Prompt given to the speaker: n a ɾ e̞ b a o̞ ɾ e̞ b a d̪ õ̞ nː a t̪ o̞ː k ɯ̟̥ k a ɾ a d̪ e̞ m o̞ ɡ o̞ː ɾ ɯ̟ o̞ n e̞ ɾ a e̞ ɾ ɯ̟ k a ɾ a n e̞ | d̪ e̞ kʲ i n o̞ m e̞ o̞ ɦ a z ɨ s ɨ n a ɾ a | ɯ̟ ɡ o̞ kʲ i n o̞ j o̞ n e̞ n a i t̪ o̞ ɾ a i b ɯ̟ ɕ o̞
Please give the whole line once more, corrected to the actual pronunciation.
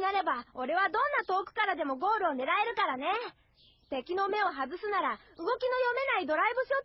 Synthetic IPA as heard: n a ɾ e̞ b a o̞ ɾ e̞ β a d̪ õ̞ nː a t̪ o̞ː k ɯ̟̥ k a ɾ a d̪ e̞ m o̞ ɡ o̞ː ɾ ɯ̟ o̞ n e̞ ɾ a e̞ ɾ ɯ̟ k a ɾ a n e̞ | t̪ e̞ kʲ i n o̞ m e̞ o̞ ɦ a z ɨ s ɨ n a ɾ a | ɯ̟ ɡ o̞ kʲ i n o̞ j o̞ m e̞ n a i d̪ o̞ ɾ a i b ɯ̟ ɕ o̞